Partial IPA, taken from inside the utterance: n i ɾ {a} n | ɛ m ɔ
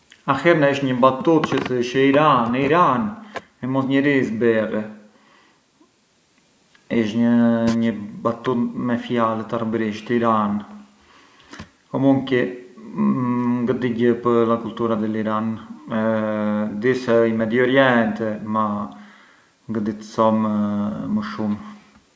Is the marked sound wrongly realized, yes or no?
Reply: no